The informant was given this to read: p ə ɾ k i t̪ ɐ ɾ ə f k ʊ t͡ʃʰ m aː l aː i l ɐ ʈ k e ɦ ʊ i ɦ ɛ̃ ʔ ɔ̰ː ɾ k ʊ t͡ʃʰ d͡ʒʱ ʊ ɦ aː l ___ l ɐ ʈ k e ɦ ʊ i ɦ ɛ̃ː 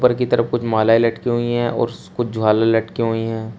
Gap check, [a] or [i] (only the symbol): a